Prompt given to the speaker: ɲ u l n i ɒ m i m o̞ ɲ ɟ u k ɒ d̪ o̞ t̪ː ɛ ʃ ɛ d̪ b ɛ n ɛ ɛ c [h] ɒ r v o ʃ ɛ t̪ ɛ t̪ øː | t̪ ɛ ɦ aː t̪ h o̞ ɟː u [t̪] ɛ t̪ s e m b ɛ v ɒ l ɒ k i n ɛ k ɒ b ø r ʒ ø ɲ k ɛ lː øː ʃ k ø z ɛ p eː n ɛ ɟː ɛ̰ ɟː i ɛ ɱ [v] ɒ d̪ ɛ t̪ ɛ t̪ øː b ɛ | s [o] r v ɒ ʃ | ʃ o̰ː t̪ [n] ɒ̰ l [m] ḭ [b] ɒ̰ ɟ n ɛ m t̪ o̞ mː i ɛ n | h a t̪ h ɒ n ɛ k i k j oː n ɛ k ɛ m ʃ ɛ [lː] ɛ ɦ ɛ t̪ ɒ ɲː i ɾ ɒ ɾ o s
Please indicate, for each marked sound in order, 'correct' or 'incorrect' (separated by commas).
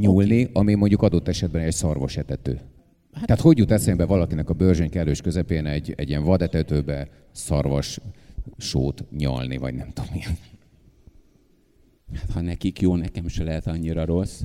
incorrect, correct, correct, incorrect, incorrect, incorrect, incorrect, incorrect